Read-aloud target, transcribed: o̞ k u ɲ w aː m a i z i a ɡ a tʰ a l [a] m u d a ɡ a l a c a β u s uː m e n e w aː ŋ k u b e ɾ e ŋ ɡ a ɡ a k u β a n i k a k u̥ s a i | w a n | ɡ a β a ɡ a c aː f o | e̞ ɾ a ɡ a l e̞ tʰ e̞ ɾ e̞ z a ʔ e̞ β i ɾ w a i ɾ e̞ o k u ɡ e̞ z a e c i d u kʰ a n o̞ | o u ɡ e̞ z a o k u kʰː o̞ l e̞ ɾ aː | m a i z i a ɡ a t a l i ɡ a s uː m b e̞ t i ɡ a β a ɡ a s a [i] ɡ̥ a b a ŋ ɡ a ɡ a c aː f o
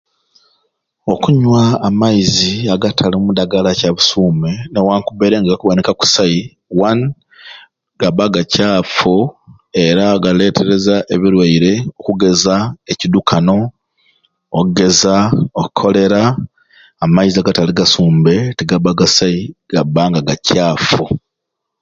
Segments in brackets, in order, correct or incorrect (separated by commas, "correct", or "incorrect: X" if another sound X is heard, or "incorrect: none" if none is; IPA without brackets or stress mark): incorrect: i, correct